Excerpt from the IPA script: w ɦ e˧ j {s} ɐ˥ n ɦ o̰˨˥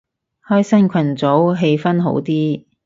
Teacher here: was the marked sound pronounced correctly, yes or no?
no